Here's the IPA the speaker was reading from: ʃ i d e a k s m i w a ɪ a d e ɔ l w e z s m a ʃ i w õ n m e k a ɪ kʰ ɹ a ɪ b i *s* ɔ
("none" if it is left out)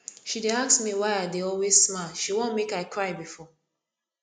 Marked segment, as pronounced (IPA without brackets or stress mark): f